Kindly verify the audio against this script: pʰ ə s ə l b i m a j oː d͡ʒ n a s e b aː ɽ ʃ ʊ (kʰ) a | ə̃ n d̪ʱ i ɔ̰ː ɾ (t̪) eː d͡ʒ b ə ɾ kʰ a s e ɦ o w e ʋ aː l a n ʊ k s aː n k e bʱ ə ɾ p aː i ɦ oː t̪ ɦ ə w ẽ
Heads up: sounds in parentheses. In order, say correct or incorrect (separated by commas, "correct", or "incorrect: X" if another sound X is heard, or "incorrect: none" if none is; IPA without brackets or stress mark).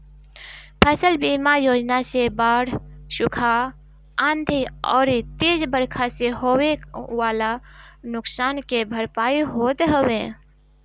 correct, correct